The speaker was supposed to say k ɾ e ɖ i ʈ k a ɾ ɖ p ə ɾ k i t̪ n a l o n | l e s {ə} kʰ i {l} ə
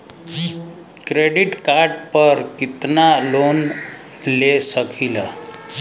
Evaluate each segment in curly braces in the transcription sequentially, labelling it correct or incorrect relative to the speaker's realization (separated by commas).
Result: correct, correct